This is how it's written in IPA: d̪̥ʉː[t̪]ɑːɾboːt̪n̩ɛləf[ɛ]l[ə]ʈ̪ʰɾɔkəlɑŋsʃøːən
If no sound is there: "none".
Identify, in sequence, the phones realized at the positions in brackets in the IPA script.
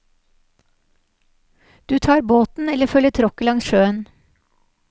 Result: t̪ʰ, œ, ə

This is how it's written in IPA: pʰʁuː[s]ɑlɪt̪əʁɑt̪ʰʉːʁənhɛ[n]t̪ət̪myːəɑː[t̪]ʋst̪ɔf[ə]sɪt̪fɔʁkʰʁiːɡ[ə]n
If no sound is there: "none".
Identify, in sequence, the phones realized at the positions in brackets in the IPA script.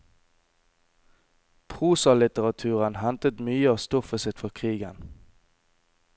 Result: s, n, none, ə, ə

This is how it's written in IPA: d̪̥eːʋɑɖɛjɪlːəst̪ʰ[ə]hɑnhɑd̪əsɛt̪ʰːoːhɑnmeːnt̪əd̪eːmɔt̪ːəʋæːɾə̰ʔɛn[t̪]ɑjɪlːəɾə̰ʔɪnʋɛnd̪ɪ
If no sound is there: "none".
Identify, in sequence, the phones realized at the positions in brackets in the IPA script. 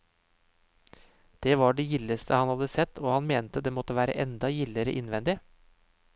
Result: ə, d̪

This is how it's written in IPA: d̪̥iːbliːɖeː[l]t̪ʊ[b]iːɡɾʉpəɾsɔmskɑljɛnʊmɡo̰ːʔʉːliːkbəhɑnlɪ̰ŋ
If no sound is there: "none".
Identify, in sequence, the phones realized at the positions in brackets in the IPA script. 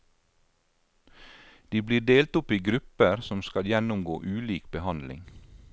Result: l, p

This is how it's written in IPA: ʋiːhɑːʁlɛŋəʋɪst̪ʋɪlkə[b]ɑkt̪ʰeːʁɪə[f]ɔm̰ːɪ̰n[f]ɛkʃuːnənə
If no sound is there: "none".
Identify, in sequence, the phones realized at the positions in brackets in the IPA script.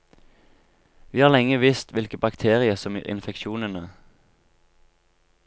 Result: b, s, f

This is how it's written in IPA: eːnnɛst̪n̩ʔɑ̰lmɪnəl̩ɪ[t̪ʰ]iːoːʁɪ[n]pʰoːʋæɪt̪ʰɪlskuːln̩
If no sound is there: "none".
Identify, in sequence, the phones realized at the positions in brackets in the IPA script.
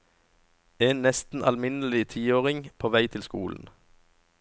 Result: t̪ʰ, ŋ

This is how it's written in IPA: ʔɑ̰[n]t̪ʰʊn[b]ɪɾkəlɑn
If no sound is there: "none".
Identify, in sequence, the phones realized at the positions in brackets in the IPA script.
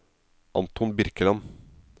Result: n, b

